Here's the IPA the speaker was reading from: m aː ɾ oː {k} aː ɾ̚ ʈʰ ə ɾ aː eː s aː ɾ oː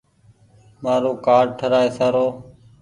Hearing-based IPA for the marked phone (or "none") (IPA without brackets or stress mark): k